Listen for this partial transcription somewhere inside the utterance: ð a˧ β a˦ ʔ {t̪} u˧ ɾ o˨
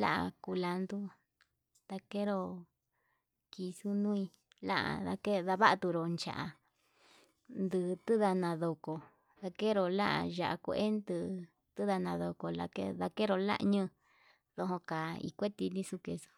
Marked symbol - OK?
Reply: yes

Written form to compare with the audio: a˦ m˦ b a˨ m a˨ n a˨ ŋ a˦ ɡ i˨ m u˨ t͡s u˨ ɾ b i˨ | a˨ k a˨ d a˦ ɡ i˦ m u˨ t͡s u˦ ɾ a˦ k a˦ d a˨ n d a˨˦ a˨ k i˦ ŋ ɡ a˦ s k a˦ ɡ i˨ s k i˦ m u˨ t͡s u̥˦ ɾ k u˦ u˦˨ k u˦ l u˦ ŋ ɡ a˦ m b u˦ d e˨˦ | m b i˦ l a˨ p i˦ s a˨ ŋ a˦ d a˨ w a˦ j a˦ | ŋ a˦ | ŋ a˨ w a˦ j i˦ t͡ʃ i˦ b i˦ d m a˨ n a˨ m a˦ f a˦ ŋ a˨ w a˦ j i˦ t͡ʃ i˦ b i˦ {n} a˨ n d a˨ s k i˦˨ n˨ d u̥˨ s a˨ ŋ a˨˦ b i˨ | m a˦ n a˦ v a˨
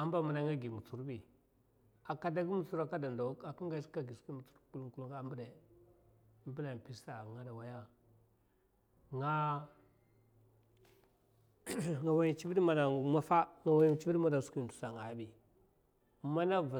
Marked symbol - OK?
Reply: no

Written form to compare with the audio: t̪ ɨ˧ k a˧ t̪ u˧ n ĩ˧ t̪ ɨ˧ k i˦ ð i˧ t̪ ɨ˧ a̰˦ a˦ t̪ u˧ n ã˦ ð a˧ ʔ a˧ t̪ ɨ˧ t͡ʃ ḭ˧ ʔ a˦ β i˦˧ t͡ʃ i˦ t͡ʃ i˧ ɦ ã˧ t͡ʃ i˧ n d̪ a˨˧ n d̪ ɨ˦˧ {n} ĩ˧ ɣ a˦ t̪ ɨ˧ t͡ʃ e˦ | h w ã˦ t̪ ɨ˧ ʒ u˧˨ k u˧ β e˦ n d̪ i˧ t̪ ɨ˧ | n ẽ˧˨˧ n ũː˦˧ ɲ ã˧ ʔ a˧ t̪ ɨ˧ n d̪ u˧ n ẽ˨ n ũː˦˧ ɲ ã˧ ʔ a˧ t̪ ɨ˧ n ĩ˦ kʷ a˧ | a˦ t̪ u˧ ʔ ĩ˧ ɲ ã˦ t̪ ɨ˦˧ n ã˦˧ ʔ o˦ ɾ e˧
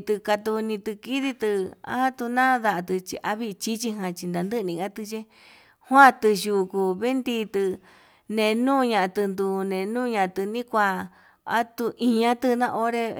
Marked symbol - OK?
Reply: yes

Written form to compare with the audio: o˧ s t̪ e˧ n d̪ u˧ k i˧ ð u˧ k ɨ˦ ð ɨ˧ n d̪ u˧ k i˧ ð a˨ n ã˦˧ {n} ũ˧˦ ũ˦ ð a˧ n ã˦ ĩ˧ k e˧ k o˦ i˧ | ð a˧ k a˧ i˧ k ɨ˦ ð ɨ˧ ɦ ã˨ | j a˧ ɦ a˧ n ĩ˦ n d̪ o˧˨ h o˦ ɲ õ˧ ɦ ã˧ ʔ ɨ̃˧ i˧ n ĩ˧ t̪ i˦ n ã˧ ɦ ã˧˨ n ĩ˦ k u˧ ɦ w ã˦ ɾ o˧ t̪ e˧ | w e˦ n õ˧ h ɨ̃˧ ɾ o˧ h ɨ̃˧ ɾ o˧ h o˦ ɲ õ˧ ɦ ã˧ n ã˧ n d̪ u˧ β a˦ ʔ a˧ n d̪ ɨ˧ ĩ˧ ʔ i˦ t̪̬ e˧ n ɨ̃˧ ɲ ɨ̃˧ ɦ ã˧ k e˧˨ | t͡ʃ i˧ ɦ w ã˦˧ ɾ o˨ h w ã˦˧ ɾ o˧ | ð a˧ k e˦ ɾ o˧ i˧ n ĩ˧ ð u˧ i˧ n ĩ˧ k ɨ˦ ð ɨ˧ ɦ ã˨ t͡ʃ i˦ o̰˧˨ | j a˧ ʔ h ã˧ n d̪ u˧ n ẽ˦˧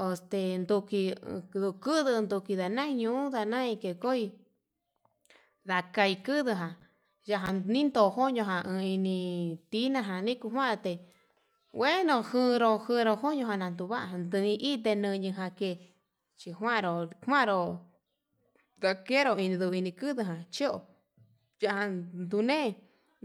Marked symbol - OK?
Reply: no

